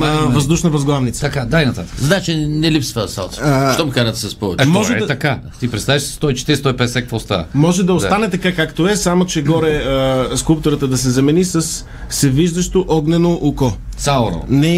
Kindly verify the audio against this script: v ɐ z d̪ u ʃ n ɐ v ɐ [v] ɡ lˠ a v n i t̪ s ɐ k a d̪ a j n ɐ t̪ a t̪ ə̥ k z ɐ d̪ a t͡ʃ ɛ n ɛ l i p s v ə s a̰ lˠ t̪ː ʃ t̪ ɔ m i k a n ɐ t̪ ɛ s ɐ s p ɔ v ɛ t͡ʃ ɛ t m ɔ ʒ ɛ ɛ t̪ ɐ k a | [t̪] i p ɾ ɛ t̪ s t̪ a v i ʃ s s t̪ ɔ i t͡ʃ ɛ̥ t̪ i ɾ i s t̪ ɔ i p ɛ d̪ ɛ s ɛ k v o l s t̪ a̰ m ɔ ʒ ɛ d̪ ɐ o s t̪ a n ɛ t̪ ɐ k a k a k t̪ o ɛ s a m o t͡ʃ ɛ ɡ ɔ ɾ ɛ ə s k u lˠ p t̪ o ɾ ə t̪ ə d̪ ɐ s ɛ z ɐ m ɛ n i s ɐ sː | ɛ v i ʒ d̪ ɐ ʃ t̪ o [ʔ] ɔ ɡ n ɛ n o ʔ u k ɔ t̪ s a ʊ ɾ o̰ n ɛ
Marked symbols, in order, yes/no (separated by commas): no, yes, yes